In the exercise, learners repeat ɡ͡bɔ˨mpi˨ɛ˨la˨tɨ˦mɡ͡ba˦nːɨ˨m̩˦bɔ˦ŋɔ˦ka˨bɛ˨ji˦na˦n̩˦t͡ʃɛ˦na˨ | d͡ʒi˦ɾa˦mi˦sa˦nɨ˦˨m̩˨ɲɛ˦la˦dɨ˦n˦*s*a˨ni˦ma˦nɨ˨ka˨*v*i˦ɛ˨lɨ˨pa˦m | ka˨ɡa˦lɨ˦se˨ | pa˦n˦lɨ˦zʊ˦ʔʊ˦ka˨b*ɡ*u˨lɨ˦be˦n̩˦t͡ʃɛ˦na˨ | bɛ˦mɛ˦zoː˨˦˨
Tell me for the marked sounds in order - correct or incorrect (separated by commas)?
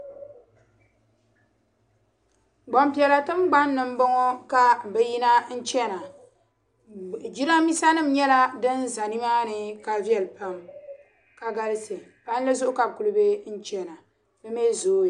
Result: incorrect, correct, incorrect